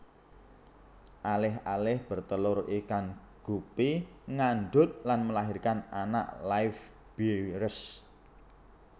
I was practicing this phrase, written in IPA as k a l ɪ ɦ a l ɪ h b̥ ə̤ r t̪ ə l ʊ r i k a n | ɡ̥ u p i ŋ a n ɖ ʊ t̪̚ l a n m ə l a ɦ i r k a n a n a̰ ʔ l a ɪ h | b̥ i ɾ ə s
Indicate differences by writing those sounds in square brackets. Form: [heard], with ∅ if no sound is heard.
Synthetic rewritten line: [ʔ] a l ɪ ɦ a l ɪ h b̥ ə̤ r t̪ ə l ʊ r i k a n | ɡ̥ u p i ŋ a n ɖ ʊ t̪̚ l a n m ə l a ɦ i r k a n a n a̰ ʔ l a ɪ [f] | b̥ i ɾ ə s